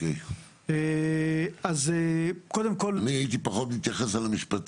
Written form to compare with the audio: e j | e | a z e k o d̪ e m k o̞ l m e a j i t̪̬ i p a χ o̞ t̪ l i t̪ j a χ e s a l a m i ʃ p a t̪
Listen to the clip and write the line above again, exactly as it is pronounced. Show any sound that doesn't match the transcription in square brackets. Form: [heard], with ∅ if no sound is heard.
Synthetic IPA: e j | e | a z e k o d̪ e m k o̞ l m [i] a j i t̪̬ i p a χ o̞ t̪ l i t̪ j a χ e s a l a m i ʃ p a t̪